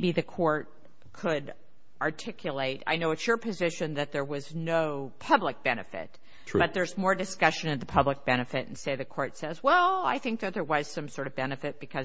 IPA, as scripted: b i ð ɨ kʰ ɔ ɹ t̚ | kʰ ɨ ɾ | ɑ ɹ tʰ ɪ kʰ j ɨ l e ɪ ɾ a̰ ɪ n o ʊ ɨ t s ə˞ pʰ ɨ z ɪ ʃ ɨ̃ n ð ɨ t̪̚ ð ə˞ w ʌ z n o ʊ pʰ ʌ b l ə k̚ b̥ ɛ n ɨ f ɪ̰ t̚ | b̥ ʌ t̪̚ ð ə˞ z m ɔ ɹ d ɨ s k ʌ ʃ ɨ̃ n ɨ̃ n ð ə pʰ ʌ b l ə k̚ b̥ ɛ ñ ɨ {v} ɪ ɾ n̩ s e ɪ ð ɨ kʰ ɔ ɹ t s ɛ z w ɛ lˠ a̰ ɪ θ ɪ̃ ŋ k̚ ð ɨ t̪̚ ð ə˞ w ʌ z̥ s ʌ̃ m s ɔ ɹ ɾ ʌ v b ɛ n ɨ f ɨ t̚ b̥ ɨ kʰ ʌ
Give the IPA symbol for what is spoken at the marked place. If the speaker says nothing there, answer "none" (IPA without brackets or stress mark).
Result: f